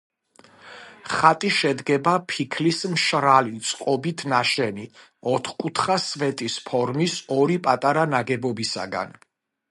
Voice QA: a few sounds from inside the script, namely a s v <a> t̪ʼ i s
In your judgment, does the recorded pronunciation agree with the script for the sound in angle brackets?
no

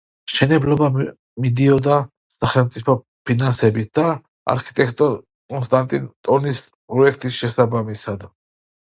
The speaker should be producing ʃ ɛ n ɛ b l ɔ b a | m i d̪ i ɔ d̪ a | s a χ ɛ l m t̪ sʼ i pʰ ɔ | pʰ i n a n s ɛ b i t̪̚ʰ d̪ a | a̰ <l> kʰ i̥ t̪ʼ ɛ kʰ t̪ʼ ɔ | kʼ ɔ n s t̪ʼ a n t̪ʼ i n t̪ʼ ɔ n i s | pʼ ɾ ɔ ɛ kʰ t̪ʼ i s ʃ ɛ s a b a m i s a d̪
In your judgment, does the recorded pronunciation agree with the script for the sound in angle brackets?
no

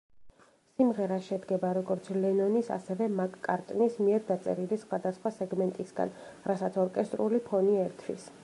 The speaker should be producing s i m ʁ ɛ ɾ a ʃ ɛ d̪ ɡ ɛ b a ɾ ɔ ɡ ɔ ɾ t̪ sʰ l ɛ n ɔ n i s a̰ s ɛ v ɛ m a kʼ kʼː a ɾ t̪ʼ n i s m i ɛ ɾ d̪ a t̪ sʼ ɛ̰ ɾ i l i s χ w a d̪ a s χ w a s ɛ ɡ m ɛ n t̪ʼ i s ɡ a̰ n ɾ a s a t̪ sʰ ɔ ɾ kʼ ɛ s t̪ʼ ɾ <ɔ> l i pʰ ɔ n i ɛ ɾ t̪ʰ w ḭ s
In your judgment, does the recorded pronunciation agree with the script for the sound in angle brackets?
no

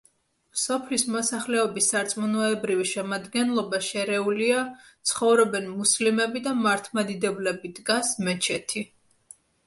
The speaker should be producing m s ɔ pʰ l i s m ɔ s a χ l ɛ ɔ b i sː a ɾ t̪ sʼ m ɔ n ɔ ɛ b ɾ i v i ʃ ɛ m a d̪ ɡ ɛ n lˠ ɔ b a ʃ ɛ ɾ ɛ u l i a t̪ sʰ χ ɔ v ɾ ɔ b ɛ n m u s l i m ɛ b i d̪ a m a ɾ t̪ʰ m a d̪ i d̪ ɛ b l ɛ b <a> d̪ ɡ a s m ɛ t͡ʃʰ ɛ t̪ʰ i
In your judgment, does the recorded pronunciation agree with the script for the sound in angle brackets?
no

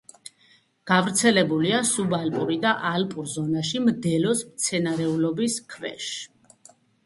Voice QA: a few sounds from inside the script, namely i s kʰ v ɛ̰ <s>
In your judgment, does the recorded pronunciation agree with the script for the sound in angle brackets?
no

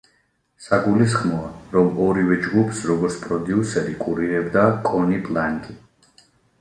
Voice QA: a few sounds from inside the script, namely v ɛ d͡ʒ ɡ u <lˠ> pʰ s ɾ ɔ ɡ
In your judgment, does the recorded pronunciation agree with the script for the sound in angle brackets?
no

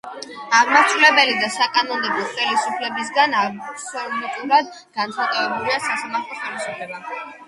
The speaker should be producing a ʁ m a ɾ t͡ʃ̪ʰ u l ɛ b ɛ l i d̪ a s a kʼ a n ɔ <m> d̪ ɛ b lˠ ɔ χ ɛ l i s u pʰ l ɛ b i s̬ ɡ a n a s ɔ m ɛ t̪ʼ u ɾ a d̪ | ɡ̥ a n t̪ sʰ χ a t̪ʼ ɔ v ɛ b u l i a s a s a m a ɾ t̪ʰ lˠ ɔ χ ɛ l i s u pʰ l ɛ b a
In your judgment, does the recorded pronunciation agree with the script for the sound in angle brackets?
no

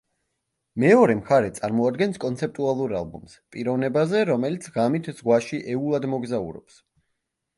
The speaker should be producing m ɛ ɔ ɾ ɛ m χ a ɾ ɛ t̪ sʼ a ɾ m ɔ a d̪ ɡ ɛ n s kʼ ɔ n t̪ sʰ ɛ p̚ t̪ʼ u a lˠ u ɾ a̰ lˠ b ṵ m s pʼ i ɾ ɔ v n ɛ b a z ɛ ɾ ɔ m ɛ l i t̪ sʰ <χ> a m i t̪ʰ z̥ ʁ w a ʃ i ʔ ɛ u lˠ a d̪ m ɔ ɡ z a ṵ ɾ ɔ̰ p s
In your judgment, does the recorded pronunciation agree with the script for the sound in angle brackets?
no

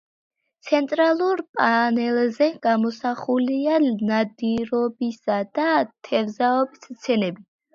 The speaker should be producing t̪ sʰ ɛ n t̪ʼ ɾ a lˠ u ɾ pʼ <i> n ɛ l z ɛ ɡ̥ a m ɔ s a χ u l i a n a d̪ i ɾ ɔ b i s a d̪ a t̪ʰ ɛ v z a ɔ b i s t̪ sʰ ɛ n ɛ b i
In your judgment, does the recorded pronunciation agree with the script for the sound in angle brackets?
no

